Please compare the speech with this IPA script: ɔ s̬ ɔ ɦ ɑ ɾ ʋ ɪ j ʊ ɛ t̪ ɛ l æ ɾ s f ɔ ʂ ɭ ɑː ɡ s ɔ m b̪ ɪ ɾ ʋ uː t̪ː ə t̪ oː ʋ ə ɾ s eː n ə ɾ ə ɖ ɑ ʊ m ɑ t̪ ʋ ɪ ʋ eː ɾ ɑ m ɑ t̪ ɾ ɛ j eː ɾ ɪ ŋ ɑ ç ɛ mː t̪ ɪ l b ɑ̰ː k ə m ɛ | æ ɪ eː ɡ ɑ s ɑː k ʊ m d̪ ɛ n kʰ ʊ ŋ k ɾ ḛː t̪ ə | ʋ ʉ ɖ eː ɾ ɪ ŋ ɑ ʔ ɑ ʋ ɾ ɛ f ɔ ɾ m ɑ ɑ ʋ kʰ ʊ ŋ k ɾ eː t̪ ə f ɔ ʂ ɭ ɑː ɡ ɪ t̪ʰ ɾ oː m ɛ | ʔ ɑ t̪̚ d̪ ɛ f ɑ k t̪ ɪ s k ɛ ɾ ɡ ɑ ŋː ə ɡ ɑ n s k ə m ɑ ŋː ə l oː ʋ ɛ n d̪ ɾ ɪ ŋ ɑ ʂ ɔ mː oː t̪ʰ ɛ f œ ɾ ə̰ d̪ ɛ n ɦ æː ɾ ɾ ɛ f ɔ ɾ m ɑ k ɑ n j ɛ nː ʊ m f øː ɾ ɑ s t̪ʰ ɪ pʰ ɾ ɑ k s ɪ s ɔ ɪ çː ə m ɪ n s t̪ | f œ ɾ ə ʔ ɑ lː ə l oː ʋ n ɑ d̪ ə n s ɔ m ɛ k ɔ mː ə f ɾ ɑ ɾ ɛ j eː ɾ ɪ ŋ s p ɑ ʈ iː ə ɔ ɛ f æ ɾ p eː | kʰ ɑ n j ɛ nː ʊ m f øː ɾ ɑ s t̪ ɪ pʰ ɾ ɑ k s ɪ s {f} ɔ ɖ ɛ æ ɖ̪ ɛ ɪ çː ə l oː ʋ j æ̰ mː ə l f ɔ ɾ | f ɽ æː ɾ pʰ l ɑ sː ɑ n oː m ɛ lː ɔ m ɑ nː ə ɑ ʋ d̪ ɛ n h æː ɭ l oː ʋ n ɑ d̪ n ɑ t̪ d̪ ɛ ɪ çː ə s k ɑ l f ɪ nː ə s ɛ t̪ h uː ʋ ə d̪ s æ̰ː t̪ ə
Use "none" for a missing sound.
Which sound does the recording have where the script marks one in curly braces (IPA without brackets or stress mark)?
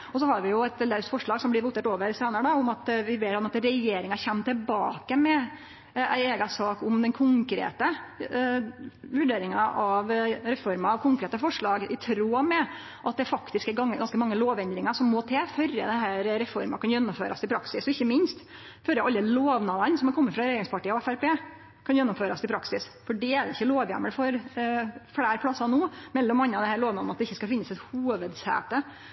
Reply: f